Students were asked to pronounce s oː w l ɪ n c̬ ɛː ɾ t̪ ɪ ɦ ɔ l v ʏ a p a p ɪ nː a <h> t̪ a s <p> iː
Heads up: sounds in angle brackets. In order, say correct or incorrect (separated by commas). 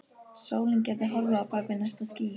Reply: incorrect, incorrect